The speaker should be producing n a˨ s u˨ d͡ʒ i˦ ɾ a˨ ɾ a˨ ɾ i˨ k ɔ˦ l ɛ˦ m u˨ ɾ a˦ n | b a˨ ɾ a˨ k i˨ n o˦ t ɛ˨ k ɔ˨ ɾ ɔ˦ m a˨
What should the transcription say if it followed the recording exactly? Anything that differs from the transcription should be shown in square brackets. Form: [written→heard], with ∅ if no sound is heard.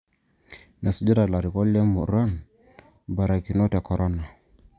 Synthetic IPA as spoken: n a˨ s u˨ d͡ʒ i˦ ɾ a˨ [ɾ→l] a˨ ɾ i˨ k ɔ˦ l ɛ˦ m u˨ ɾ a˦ n | b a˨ ɾ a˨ k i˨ n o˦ t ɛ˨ k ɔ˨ ɾ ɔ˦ [m→n] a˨